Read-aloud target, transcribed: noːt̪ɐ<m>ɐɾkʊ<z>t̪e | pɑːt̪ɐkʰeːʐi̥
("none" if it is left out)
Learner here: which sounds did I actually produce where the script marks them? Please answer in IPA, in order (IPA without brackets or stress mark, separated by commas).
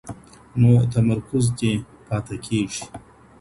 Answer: m, z